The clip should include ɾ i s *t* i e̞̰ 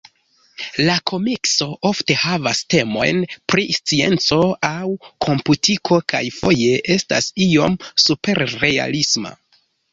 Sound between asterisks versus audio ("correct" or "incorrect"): incorrect